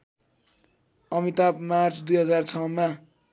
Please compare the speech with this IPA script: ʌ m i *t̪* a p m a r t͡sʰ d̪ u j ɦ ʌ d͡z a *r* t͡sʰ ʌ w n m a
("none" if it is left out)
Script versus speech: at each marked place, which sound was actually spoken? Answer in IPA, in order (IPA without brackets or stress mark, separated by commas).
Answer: t̪, r